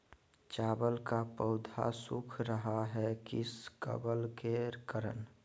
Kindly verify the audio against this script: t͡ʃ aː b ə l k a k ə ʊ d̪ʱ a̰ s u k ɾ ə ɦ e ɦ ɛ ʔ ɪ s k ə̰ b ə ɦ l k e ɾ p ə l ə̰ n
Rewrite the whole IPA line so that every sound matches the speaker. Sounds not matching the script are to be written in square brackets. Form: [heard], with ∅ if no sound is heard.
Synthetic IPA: t͡ʃ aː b ə l k a [p] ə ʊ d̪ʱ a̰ s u [kʰ] ɾ ə ɦ [a] ɦ ɛ [k] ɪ s k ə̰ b ə [∅] l k e ɾ [k] ə [ɾ] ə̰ n